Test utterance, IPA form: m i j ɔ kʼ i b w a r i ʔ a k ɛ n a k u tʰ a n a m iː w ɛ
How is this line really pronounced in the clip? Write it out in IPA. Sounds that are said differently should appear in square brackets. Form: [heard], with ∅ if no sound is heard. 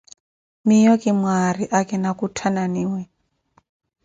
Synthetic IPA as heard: m i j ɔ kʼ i [m] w a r i ʔ a k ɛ n a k u tʰ a n a [n] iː w ɛ